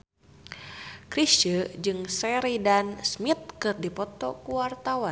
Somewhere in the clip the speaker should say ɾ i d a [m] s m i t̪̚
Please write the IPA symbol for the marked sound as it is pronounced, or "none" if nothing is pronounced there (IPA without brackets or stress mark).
n